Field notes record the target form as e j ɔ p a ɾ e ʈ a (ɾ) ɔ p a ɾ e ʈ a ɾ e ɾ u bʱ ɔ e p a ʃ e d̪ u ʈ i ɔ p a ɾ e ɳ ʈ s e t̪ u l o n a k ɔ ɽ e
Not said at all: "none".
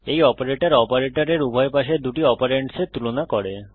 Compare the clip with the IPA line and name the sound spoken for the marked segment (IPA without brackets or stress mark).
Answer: ɾ